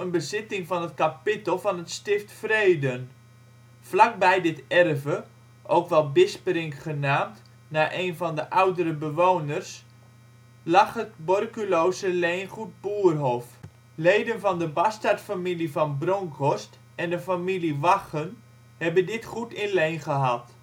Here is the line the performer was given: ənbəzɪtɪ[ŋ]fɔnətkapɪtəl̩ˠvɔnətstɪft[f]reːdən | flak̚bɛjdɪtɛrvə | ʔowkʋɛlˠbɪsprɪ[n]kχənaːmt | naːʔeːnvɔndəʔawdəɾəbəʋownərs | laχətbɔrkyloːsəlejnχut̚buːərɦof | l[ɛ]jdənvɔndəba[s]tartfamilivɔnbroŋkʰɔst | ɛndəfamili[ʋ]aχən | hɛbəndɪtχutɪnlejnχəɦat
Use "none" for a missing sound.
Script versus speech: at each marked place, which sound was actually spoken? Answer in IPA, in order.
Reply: ŋ, f, ŋ, e, s, ʋ

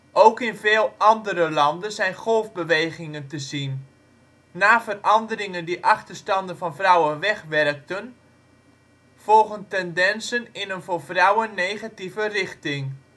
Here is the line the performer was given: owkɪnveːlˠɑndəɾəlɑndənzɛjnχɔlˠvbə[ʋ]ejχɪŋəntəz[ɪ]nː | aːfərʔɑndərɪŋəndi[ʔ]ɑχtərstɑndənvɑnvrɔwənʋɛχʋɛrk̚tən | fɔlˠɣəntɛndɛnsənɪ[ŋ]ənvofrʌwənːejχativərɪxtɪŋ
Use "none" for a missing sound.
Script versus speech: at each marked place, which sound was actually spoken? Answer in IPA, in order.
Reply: ʋ, i, ʔ, n

